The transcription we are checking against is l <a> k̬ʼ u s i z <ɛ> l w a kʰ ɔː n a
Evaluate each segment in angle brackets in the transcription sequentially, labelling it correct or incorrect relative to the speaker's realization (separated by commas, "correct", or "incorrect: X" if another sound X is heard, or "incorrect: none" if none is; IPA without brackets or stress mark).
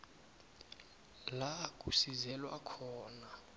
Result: correct, correct